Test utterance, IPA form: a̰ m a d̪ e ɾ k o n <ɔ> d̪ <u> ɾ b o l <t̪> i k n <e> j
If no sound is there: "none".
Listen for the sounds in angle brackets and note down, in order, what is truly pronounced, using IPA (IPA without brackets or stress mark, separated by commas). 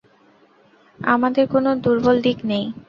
o, u, d̪, e